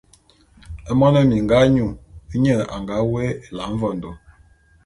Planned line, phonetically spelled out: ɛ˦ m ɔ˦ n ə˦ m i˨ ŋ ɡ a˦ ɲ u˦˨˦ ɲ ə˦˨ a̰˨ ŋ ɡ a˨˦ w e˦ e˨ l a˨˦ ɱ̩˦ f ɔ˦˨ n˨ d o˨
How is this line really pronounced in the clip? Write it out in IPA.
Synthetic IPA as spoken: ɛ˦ m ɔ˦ n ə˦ m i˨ ŋ ɡ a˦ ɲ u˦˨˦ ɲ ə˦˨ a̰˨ ŋ ɡ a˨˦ w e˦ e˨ l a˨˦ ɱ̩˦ v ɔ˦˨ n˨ d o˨